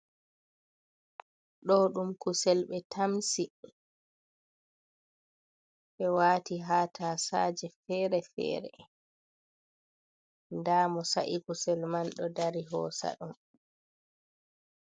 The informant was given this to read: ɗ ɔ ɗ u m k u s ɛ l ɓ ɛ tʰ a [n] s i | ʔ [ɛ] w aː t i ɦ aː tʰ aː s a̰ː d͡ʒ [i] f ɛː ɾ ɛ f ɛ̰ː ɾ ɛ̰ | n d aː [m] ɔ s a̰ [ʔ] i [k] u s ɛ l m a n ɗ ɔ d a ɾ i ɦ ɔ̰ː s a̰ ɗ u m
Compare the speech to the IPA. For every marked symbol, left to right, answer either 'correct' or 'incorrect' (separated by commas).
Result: incorrect, correct, incorrect, correct, correct, correct